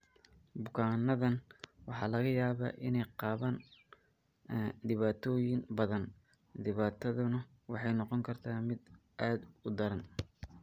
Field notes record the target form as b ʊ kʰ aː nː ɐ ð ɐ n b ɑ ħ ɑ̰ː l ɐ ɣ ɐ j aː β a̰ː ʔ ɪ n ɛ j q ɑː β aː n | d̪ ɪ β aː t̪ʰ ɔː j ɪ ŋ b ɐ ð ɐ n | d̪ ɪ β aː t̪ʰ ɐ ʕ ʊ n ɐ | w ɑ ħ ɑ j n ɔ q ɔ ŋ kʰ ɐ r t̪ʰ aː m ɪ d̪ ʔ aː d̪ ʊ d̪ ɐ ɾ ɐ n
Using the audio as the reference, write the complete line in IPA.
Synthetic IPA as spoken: b ʊ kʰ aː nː ɐ ð ɐ n w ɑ ħ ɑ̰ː l ɐ ɣ ɐ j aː β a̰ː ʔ ɪ n ɛ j q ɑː β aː n | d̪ ɪ β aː t̪ʰ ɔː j ɪ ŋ b ɐ ð ɐ n | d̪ ɪ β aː t̪ʰ ɐ ð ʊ n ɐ | w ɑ ħ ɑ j n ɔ q ɔ ŋ kʰ ɐ r t̪ʰ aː m ɪ d̪ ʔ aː d̪ ʊ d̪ ɐ ɾ ɐ n